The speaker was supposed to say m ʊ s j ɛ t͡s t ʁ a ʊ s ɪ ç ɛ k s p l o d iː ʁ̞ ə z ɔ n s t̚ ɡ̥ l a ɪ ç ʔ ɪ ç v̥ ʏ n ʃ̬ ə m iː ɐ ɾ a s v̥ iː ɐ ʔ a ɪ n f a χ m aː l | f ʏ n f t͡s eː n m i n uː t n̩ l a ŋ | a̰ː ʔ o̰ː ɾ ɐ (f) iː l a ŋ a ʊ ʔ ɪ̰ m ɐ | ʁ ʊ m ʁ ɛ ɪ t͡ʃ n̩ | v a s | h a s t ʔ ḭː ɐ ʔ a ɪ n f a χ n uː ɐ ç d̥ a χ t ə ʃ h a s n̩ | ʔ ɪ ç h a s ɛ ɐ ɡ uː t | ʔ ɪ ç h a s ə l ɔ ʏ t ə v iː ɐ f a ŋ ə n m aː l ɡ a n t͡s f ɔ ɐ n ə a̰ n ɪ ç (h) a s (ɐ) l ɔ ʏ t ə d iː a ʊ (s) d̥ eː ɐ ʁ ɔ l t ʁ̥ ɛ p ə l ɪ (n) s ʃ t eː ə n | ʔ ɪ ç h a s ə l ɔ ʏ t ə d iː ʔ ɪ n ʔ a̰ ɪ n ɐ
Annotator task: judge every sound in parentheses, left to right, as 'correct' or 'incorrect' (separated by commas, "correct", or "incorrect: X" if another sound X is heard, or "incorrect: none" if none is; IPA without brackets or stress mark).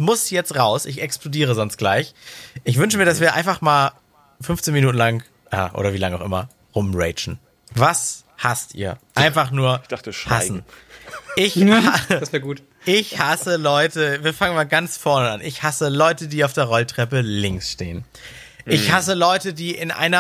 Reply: incorrect: v, correct, incorrect: ə, incorrect: f, incorrect: ŋ